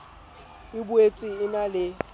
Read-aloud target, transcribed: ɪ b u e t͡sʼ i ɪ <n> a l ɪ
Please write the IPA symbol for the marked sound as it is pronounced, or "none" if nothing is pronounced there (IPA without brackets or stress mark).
n